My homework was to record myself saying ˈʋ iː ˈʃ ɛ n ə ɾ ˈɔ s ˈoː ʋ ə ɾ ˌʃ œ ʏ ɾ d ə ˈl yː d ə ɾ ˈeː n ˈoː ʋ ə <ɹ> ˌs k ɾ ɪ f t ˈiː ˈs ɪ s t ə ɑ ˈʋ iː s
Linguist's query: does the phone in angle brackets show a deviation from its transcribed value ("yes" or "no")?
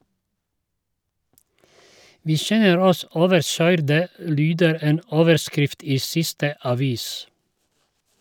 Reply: yes